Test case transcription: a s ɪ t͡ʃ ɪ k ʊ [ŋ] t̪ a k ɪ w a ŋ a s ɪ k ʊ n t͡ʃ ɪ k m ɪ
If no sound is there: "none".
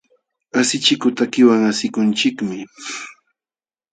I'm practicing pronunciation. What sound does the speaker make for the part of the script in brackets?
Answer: none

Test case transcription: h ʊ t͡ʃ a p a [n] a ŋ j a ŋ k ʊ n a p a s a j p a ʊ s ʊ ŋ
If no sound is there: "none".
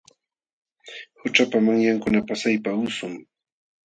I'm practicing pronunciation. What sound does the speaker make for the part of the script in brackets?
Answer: m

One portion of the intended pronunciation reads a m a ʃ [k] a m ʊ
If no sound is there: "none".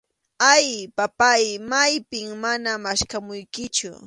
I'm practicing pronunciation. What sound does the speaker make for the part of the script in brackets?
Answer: k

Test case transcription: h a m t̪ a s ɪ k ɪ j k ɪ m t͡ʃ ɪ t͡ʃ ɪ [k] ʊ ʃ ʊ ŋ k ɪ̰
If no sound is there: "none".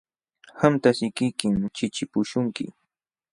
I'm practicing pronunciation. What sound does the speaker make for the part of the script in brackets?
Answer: p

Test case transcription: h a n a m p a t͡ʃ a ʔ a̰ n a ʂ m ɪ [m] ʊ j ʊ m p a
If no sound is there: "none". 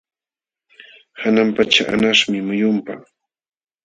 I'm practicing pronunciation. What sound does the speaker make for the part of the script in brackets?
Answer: m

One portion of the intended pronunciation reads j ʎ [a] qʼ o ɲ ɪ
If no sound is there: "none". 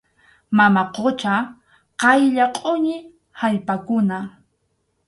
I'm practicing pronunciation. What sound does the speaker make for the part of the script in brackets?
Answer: a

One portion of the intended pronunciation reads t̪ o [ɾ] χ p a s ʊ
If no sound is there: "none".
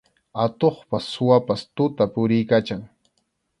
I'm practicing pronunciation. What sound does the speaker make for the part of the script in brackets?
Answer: none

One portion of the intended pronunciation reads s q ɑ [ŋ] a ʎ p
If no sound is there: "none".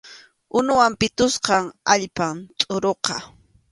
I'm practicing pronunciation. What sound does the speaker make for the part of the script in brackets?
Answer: ŋ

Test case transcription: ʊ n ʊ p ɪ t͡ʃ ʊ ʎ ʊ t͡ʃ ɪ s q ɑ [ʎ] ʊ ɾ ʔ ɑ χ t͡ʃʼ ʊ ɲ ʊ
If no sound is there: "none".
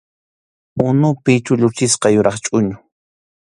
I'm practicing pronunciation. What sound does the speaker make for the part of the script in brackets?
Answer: j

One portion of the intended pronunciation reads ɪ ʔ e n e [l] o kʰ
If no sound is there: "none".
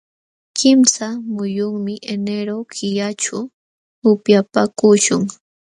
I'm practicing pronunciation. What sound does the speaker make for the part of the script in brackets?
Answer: ɾ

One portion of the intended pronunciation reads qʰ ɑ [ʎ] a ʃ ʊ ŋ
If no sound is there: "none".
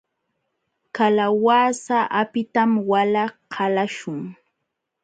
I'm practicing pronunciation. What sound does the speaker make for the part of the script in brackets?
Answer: l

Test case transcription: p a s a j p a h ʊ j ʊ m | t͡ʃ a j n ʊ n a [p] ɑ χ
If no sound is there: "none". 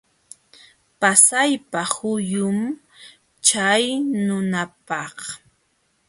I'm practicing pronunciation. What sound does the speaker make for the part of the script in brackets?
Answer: p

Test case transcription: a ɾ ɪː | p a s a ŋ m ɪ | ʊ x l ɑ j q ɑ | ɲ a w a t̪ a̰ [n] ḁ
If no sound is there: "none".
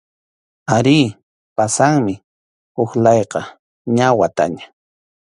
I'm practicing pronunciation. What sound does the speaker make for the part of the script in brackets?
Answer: ɲ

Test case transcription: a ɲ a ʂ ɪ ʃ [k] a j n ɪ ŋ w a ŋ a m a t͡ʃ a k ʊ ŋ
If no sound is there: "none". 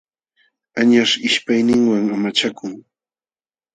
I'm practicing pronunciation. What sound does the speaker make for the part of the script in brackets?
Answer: p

